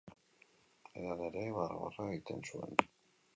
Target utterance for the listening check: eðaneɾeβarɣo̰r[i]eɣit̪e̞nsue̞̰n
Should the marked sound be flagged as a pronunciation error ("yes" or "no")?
yes